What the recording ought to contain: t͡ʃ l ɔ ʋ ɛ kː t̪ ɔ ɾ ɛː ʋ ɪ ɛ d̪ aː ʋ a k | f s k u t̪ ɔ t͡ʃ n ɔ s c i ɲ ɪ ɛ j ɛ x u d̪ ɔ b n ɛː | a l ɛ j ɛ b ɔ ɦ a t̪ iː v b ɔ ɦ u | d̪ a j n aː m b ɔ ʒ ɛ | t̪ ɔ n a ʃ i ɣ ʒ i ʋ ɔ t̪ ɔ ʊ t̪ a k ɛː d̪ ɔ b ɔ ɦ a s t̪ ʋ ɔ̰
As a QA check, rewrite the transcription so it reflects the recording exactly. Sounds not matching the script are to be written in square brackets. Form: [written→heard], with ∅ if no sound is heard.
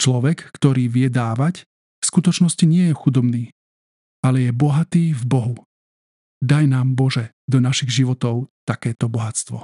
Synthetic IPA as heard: t͡ʃ l ɔ ʋ ɛ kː t̪ ɔ ɾ [ɛː→iː] ʋ ɪ ɛ d̪ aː ʋ a [k→c] | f s k u t̪ ɔ t͡ʃ n ɔ s c i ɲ ɪ ɛ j ɛ x u d̪ ɔ b n [ɛː→iː] | a l ɛ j ɛ b ɔ ɦ a t̪ iː v b ɔ ɦ u | d̪ a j n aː m b ɔ ʒ ɛ | [t̪→d̪] ɔ n a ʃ i ɣ ʒ i ʋ ɔ t̪ ɔ ʊ t̪ a k ɛː [d̪→t̪] ɔ b ɔ ɦ a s t̪ ʋ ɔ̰